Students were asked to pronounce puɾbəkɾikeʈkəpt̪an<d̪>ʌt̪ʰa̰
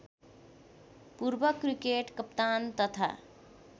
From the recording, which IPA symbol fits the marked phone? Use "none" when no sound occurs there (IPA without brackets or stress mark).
t̪